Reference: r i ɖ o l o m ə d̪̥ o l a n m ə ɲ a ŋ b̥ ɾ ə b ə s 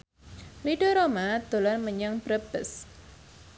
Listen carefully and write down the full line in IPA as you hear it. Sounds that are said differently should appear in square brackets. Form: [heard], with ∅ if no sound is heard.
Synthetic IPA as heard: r i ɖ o [ɾ] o m [a] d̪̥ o l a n m ə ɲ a ŋ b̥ ɾ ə b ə s